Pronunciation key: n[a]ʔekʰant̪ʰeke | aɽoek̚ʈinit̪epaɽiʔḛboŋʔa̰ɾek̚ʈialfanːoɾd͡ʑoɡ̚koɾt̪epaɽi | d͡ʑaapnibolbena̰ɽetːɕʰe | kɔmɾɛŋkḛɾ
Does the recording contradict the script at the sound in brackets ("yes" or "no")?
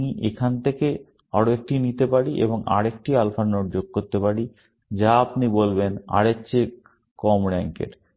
yes